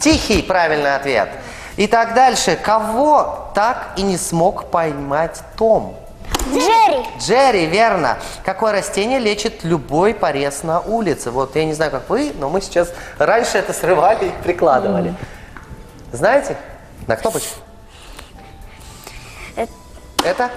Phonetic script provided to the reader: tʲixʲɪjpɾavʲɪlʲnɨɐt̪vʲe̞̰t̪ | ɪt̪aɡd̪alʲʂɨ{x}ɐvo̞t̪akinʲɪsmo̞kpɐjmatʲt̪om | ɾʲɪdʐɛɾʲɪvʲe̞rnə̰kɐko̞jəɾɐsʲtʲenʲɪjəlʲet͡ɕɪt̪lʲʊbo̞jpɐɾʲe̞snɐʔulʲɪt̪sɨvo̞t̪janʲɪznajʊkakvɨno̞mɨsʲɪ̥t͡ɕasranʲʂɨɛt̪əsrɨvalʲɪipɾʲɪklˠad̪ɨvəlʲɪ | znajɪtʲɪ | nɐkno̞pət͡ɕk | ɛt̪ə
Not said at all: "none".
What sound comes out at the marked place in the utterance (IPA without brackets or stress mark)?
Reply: k